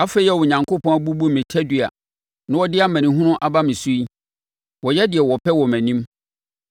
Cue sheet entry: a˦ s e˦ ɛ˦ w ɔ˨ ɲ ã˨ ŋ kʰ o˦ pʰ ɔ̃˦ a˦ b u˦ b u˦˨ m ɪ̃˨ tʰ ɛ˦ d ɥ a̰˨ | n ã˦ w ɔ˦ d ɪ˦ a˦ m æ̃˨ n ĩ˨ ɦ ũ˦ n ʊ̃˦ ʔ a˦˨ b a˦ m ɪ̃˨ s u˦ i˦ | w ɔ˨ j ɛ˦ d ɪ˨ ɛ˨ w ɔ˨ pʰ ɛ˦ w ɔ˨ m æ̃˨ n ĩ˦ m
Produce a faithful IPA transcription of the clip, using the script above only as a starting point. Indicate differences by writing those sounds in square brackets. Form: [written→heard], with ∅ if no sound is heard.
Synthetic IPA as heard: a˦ [s→f] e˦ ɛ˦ w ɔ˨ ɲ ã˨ ŋ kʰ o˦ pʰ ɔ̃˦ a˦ b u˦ b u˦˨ m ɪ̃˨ tʰ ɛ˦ d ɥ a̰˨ | n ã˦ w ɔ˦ d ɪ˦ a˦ m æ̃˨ n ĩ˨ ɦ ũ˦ n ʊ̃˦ ʔ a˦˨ b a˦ m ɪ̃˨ s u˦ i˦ | w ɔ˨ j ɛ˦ d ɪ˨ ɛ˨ w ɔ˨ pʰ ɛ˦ w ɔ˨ m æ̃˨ n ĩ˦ m